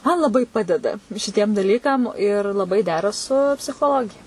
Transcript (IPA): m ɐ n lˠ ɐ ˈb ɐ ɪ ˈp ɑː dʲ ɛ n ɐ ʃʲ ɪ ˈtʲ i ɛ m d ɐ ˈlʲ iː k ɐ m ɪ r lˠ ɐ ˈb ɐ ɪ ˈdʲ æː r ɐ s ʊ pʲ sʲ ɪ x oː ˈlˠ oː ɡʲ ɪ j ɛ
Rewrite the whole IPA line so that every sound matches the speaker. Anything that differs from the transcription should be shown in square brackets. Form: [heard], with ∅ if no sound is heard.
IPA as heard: m ɐ n lˠ ɐ ˈb ɐ ɪ ˈp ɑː dʲ ɛ [d] ɐ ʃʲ ɪ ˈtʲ i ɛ m d ɐ ˈlʲ iː k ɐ m ɪ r lˠ ɐ ˈb ɐ ɪ ˈdʲ æː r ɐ s ʊ pʲ sʲ ɪ x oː ˈlˠ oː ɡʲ ɪ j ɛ